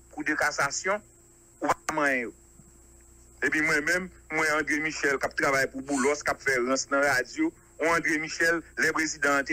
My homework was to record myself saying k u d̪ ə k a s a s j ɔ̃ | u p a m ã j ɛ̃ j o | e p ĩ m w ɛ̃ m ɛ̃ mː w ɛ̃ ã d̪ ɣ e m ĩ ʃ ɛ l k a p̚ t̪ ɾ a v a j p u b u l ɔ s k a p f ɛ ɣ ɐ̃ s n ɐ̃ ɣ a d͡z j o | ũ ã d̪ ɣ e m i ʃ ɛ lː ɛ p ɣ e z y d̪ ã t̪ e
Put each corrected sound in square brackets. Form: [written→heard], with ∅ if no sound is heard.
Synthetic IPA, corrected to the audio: k u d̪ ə k a s a s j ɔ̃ | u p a m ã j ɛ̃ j o | e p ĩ m w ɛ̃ m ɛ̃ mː w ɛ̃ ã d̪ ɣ e m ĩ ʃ ɛ l k a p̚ t̪ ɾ a v a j p u b u l ɔ s k a p f ɛ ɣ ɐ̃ s n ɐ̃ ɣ a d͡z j o | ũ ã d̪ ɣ e m i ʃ ɛ lː ɛ p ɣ e z [y→i] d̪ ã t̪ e